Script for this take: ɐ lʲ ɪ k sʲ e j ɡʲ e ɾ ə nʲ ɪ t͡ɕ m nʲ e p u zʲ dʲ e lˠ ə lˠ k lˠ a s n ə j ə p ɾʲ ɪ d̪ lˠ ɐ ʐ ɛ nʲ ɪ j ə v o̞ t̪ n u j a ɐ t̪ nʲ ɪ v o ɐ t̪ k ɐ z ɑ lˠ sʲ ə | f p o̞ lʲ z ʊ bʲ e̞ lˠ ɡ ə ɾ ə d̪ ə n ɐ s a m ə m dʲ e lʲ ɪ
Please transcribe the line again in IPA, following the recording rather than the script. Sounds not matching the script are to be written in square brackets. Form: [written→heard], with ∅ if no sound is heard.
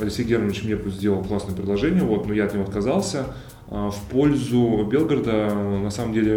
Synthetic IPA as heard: ɐ lʲ ɪ k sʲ e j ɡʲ e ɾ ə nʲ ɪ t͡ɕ m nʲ e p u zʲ dʲ e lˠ ə lˠ k lˠ a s n ə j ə p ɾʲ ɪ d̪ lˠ ɐ ʐ ɛ nʲ ɪ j ə v o̞ t̪ n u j a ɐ t̪ nʲ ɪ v o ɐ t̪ k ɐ z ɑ lˠ sʲ ə | f p o̞ lʲ z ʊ bʲ e̞ lˠ ɡ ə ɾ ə d̪ ə n ɐ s a m ə m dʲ e lʲ ɪ